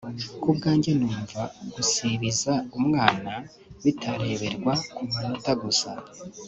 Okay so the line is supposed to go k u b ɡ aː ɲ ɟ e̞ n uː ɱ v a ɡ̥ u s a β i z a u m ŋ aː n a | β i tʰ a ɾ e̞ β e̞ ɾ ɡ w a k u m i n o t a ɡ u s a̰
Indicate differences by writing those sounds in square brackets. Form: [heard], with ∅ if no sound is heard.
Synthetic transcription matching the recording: k u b ɡ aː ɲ ɟ e̞ n uː ɱ v a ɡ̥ u s [i] β i z a u m ŋ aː n a | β i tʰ a ɾ e̞ β e̞ ɾ ɡ w a k u m [a] n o t a ɡ u s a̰